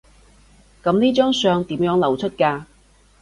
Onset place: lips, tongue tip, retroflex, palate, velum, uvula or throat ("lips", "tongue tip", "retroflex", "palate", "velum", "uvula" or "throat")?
velum